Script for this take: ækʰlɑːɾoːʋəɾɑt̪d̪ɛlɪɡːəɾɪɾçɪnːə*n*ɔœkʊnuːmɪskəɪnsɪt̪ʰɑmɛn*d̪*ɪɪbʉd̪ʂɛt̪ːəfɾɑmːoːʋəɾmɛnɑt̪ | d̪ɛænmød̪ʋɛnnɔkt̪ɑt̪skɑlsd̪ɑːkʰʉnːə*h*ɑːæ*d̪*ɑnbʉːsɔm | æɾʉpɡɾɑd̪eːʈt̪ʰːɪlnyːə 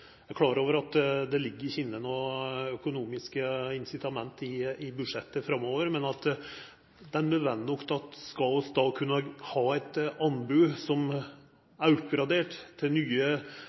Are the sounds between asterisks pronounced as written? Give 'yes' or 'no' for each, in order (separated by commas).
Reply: yes, no, yes, no